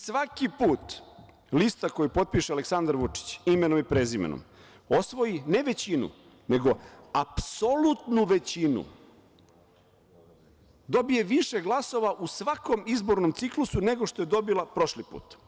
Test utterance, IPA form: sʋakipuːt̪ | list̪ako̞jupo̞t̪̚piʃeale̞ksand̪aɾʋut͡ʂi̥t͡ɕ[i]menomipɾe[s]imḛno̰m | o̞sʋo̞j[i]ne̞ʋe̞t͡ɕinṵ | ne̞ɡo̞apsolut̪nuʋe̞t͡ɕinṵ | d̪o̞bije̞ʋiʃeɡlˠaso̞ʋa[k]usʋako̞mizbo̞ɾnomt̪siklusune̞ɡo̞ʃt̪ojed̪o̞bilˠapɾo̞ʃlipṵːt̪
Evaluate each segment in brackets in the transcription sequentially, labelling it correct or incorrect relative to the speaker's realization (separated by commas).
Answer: correct, incorrect, correct, incorrect